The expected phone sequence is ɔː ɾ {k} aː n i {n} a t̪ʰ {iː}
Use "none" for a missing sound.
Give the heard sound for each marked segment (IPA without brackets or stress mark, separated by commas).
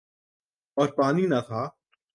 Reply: p, n, aː